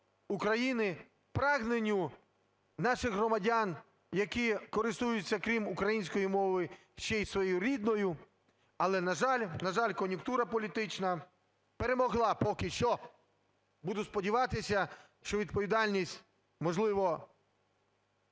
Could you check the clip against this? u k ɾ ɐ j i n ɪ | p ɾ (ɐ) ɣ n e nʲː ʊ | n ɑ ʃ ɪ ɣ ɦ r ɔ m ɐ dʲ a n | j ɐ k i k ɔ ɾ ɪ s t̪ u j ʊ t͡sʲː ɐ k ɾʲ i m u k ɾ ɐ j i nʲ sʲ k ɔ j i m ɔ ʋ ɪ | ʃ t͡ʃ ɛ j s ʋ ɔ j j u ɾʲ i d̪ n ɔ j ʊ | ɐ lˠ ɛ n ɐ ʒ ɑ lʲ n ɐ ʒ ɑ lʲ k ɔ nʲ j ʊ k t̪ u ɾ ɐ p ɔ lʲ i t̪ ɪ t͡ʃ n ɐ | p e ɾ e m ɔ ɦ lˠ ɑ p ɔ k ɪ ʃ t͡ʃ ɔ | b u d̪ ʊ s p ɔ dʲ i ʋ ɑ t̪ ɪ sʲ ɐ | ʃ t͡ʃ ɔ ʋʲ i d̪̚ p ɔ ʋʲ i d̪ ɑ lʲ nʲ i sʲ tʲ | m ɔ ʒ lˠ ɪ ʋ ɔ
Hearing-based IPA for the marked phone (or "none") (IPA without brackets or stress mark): ɑ